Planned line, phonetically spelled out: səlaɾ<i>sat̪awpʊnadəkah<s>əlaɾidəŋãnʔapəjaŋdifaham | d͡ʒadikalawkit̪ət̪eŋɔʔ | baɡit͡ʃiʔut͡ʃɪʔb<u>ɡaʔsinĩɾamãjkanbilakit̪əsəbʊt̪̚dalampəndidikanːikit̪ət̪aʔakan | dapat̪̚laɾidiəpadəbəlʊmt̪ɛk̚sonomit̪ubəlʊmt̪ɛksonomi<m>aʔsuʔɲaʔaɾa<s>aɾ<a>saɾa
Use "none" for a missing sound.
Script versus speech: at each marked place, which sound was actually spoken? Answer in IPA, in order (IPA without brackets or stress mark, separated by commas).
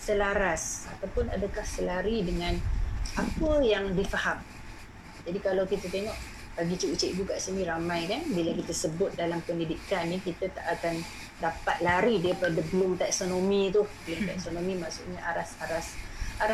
a, s, u, m, s, a